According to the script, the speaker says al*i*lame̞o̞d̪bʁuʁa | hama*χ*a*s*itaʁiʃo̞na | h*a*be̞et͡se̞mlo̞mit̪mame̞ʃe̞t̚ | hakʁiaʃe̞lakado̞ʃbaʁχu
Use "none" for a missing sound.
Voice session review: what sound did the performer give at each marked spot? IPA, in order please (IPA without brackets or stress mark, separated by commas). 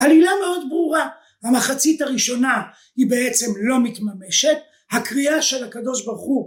i, χ, t͡s, i